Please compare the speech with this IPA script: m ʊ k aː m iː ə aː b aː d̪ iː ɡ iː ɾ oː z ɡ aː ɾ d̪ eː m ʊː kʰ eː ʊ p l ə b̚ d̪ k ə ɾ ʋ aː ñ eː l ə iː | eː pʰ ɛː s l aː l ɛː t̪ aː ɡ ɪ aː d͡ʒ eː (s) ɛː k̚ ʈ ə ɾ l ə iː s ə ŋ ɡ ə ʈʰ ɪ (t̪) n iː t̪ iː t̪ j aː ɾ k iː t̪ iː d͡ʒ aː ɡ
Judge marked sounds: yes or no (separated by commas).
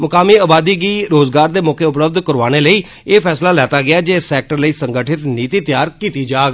yes, yes